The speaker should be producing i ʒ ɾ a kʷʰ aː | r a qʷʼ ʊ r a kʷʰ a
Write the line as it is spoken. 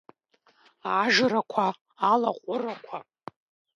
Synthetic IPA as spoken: a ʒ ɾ a kʷʰ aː | l a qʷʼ ʊ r a kʷʰ a